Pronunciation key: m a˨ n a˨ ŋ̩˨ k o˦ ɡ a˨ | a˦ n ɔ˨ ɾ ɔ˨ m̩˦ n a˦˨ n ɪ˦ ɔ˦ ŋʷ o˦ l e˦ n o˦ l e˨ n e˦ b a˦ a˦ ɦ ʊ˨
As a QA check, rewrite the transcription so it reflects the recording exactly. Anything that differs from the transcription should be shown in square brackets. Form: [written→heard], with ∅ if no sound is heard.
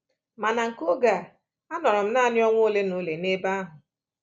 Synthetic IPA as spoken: m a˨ n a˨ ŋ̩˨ k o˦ ɡ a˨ | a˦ n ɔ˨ ɾ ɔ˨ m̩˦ n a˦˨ n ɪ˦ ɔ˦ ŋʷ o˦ l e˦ n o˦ l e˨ n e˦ b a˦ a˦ ɦ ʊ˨